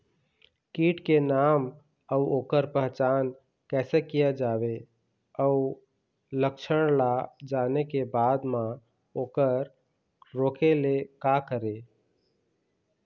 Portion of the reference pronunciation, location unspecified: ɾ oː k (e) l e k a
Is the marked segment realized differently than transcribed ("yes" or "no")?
no